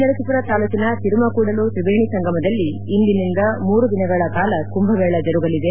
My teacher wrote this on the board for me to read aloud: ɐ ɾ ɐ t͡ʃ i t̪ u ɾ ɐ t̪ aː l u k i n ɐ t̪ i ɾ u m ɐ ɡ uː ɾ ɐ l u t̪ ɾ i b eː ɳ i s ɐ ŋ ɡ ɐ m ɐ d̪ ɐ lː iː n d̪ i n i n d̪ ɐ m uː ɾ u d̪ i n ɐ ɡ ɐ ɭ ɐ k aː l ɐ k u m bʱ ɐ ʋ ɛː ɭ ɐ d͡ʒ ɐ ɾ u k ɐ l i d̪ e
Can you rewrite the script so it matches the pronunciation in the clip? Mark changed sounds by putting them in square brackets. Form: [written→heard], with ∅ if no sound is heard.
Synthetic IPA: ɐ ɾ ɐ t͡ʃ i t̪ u ɾ ɐ t̪ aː l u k i n ɐ t̪ i ɾ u m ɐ [ɡ→k] uː [ɾ→ɽ] ɐ l u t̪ ɾ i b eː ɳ i s ɐ ŋ ɡ ɐ m ɐ d̪ ɐ lː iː n d̪ i n i n d̪ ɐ m uː ɾ u d̪ i n ɐ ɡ ɐ ɭ ɐ k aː l ɐ k u m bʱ ɐ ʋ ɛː ɭ ɐ d͡ʒ ɐ ɾ u [k→ɡ] ɐ l i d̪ e

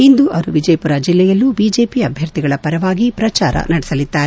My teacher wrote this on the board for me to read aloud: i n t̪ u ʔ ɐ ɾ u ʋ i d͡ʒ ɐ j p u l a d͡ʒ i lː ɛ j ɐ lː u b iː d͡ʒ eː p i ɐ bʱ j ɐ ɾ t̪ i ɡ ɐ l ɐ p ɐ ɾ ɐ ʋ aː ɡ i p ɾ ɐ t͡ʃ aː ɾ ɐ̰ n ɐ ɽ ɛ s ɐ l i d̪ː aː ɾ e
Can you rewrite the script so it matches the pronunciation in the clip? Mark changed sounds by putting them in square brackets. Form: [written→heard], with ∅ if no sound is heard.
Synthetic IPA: i n [t̪→d̪] u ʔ ɐ ɾ u ʋ i d͡ʒ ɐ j p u [l→ɾ] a d͡ʒ i lː ɛ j ɐ lː u b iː d͡ʒ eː p i ɐ bʱ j ɐ ɾ t̪ i ɡ ɐ [l→ɭ] ɐ p ɐ ɾ ɐ ʋ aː ɡ i p ɾ ɐ t͡ʃ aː ɾ ɐ̰ n ɐ ɽ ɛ s ɐ l i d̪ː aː ɾ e

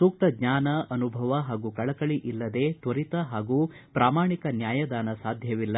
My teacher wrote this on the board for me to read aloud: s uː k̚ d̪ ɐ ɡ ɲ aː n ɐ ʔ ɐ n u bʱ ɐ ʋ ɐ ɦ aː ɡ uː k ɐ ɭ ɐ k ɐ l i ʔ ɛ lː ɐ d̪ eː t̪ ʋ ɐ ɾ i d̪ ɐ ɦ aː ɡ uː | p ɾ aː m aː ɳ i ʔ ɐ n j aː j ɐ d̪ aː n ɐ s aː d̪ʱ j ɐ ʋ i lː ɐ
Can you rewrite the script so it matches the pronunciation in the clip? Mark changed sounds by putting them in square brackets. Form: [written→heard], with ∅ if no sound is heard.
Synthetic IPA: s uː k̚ [d̪→t̪] ɐ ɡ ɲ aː n ɐ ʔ ɐ n u bʱ ɐ ʋ ɐ ɦ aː ɡ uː k ɐ ɭ ɐ k ɐ [l→ɭ] i ʔ [ɛ→i] lː ɐ d̪ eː t̪ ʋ ɐ ɾ i [d̪→t̪] ɐ ɦ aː ɡ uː | p ɾ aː m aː ɳ i [ʔ→k] ɐ n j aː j ɐ d̪ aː n ɐ s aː d̪ʱ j ɐ ʋ i lː ɐ

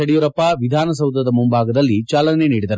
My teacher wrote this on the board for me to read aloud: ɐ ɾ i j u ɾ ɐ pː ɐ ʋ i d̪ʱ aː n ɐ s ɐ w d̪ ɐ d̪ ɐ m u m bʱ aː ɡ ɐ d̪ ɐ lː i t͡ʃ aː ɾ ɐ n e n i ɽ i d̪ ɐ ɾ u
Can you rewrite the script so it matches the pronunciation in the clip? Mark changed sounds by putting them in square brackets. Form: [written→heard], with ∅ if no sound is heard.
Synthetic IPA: ɐ [ɾ→ɽ] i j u ɾ ɐ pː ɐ ʋ i d̪ʱ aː n ɐ s ɐ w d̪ ɐ d̪ ɐ m u m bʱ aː ɡ ɐ d̪ ɐ lː i t͡ʃ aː [ɾ→l] ɐ n e n [i→iː] ɽ i d̪ ɐ ɾ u

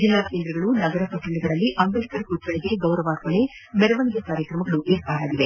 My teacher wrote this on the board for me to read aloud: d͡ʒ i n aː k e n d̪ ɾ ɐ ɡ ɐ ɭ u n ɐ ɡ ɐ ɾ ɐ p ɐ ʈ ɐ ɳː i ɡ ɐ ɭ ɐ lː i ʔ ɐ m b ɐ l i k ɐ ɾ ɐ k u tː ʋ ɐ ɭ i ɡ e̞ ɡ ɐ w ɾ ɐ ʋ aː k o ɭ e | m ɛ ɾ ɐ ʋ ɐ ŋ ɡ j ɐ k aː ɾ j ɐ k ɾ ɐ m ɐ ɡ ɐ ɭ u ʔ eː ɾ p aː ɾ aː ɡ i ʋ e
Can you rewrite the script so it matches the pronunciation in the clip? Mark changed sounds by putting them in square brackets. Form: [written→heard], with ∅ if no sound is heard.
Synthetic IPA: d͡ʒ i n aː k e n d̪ ɾ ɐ ɡ ɐ ɭ u n ɐ ɡ ɐ ɾ ɐ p ɐ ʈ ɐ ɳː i ɡ ɐ ɭ ɐ lː i ʔ ɐ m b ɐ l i k ɐ ɾ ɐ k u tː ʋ ɐ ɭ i ɡ e̞ ɡ ɐ w ɾ ɐ ʋ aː k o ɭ e | m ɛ ɾ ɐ ʋ ɐ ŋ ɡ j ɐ k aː ɾ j ɐ k ɾ ɐ m ɐ ɡ ɐ ɭ u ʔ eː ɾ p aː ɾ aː ɡ i ʋ e

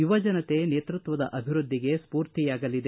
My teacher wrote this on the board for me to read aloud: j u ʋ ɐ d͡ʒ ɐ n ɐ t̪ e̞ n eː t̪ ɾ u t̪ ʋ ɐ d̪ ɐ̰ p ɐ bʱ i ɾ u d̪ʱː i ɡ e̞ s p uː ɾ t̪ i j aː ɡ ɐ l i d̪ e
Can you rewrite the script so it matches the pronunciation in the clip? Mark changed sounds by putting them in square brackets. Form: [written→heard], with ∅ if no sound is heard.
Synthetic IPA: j u ʋ ɐ d͡ʒ ɐ n ɐ t̪ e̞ n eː t̪ ɾ u t̪ ʋ ɐ d̪ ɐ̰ [p→ʔ] ɐ bʱ i ɾ u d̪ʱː i ɡ e̞ s p uː ɾ t̪ i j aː ɡ ɐ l i d̪ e

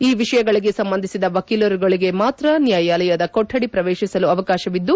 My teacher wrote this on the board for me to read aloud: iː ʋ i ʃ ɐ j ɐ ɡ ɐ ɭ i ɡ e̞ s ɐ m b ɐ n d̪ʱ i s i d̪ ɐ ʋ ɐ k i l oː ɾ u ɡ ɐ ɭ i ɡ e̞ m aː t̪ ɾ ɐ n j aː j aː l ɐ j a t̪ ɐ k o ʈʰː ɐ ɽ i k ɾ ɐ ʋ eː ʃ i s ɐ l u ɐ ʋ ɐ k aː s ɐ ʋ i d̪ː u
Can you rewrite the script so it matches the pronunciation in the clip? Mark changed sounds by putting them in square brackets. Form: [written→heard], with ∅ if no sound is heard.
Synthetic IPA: iː ʋ i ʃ ɐ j ɐ ɡ ɐ ɭ i ɡ e̞ s ɐ m b ɐ n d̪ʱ i s i d̪ ɐ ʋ ɐ k i l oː ɾ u ɡ ɐ ɭ i ɡ e̞ m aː t̪ ɾ ɐ n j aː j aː l ɐ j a [t̪→d̪] ɐ k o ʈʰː ɐ ɽ i [k→p] ɾ ɐ ʋ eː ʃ i s ɐ l u ɐ ʋ ɐ k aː [s→ʃ] ɐ ʋ i d̪ː u

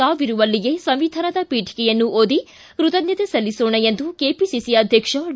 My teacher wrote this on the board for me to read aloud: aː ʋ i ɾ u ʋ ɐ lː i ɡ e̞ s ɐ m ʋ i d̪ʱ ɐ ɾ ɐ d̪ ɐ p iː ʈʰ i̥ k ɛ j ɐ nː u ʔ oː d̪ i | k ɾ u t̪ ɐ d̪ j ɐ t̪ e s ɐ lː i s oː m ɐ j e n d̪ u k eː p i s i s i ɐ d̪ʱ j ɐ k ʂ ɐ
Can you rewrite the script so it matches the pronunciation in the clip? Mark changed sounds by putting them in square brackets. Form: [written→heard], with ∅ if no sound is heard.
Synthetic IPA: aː ʋ i ɾ u ʋ ɐ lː i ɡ e̞ s ɐ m ʋ i d̪ʱ ɐ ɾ ɐ d̪ ɐ p iː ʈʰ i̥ k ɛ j ɐ nː u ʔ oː d̪ i | k ɾ u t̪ ɐ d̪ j ɐ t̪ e s ɐ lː i s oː [m→ɳ] ɐ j e n d̪ u k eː p i s i s i ɐ d̪ʱ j ɐ k ʂ ɐ

